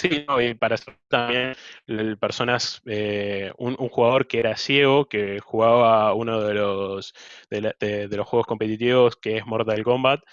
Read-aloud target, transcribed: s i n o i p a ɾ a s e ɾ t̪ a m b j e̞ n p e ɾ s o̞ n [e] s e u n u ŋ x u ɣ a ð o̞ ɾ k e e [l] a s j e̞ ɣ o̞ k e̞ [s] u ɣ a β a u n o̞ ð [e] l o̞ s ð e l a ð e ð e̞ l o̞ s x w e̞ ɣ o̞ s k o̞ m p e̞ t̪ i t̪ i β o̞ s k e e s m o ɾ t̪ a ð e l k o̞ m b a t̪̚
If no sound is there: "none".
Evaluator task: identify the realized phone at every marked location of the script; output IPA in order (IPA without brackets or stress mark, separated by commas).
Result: a, ɾ, x, e